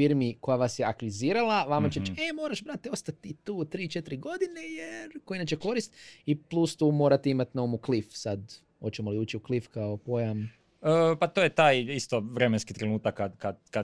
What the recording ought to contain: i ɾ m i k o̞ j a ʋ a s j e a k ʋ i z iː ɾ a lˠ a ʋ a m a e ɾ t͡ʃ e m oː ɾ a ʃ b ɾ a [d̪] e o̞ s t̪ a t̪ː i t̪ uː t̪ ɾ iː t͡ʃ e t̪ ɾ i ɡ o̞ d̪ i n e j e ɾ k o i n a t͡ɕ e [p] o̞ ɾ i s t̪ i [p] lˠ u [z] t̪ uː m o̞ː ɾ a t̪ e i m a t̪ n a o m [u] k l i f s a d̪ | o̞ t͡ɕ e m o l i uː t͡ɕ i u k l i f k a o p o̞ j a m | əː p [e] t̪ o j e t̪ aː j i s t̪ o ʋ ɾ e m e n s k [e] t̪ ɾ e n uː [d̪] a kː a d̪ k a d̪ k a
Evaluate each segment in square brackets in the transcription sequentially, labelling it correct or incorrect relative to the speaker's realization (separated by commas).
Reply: incorrect, incorrect, correct, incorrect, correct, incorrect, incorrect, incorrect